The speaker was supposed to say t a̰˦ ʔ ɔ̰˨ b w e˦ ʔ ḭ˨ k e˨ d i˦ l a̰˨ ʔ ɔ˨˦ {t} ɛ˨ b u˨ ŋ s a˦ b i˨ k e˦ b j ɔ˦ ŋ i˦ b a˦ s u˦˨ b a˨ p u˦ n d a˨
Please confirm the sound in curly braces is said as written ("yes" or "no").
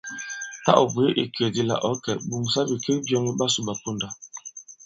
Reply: no